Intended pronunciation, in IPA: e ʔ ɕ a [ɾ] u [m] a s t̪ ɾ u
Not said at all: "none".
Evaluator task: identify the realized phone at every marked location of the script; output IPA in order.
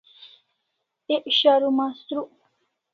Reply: ɾ, m

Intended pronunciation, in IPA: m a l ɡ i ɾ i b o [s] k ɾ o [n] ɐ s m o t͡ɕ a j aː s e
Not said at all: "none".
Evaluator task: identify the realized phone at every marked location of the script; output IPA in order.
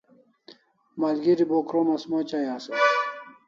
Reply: none, m

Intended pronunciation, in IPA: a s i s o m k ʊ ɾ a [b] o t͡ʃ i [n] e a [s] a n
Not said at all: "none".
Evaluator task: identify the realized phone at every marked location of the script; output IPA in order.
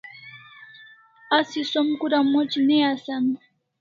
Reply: m, n, s

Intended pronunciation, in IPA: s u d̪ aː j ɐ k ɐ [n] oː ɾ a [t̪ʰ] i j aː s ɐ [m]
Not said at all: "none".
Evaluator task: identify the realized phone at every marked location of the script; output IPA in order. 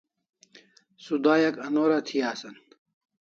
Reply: n, t̪ʰ, n

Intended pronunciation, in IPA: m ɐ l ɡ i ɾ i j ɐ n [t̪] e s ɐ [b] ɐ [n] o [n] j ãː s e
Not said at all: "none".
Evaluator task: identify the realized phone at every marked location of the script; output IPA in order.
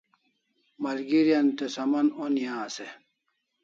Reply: t̪, m, n, n

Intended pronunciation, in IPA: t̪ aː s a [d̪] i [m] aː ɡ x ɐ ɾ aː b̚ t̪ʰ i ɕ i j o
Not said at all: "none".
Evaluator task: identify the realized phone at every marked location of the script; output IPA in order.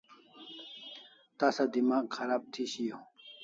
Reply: d̪, m

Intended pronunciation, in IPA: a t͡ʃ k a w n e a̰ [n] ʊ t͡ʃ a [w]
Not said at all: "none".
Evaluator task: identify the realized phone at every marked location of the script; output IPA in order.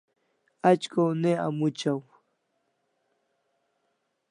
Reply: m, w

